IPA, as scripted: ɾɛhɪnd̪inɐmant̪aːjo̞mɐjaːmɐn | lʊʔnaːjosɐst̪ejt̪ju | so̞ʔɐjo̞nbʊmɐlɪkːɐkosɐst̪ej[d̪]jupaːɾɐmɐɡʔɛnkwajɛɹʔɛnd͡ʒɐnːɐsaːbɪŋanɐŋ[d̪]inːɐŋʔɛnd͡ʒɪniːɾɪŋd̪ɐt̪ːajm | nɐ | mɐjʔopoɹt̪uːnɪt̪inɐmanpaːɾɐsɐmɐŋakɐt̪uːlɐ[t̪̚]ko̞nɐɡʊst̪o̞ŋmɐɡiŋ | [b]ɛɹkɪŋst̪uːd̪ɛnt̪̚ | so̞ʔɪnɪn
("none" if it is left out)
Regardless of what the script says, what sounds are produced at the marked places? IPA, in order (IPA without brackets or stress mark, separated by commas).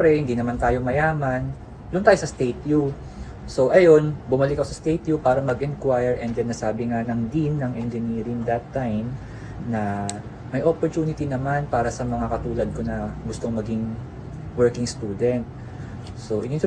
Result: t̪, d̪, d̪̚, w